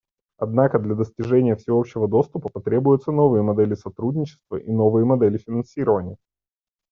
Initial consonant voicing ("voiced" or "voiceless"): voiced